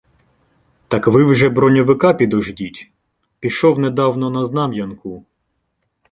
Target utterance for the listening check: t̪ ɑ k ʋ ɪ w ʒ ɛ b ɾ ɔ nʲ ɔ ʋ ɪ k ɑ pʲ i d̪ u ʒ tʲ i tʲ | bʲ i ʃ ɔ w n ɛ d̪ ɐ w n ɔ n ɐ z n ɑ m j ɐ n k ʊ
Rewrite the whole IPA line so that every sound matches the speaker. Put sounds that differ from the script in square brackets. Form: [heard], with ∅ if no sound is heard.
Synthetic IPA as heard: t̪ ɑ k ʋ ɪ w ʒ ɛ b ɾ ɔ nʲ ɔ ʋ ɪ k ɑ pʲ i d̪ [ɔ] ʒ [dʲ] i tʲ | [pʲ] i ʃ ɔ w n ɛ d̪ [ɑ] w n ɔ n ɐ z n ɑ m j ɐ n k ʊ